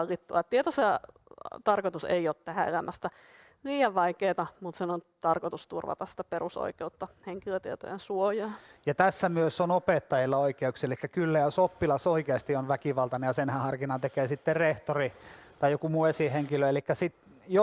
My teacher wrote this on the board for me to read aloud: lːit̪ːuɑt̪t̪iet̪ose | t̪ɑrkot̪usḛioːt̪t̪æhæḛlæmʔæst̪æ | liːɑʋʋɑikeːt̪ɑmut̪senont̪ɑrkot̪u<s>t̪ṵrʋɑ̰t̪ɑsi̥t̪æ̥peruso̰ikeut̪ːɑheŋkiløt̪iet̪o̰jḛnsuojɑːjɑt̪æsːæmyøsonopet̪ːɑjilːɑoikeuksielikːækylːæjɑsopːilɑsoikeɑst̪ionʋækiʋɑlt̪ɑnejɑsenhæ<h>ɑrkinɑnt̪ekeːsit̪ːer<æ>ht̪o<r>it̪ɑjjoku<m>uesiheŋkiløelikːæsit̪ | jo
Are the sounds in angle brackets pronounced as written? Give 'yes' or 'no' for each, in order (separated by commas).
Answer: yes, yes, no, yes, yes